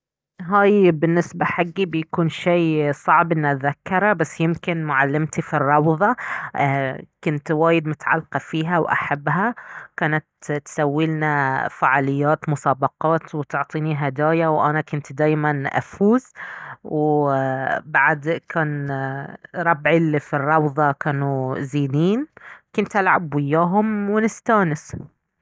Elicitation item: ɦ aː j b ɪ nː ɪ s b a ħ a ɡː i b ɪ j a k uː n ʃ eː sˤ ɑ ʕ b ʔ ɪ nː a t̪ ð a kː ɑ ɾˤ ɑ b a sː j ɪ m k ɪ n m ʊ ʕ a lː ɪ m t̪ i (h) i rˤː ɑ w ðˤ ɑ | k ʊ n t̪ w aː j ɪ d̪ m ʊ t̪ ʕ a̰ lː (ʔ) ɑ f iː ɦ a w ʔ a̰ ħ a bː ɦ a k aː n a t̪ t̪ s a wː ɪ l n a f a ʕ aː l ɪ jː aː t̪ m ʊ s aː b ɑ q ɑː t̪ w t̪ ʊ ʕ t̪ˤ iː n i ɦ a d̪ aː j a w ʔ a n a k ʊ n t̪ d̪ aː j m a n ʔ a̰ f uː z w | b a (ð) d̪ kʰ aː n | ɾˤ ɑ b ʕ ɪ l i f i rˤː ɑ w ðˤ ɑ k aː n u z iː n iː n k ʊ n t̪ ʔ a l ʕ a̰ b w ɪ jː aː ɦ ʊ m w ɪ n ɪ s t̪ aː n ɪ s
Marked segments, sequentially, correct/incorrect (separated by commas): incorrect, incorrect, incorrect